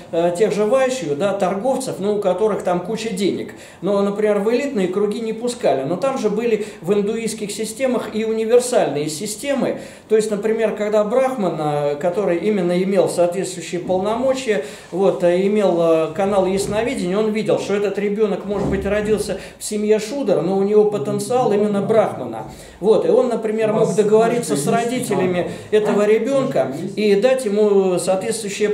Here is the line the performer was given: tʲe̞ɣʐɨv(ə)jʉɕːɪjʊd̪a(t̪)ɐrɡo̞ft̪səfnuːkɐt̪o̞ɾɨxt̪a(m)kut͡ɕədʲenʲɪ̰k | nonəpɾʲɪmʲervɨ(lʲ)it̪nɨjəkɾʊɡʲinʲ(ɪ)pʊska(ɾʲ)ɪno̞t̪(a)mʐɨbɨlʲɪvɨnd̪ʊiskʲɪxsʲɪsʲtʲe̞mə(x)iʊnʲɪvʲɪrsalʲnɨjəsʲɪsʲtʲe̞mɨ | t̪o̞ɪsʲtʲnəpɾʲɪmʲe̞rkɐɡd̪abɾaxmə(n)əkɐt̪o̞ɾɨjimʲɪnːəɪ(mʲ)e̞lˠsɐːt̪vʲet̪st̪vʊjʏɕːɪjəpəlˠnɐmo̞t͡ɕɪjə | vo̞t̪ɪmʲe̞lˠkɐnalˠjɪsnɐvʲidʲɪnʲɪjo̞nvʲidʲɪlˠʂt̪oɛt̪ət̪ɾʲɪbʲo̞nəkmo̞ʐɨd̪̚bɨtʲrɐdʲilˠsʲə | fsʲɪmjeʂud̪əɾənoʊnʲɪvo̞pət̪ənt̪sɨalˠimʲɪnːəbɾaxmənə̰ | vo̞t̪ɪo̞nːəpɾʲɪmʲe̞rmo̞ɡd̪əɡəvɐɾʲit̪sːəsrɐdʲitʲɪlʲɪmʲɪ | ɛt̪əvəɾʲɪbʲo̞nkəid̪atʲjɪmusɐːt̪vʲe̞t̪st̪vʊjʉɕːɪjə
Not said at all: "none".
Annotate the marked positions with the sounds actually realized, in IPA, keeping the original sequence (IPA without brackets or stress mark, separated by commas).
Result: a, t̪, m, lʲ, ɪ, lʲ, a, x, n, mʲ